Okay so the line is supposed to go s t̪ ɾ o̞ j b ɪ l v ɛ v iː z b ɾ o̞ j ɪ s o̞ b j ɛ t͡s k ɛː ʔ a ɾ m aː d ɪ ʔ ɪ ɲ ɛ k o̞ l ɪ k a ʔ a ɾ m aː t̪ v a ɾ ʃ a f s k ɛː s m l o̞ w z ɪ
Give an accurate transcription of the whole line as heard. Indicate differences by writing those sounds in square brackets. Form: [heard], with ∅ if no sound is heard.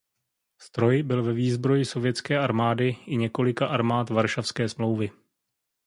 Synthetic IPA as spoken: s t̪ ɾ o̞ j b ɪ l v ɛ v iː z b ɾ o̞ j ɪ s o̞ [v] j ɛ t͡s k ɛː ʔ a ɾ m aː d ɪ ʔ ɪ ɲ ɛ k o̞ l ɪ k a ʔ a ɾ m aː t̪ v a ɾ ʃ a f s k ɛː s m l o̞ w [v] ɪ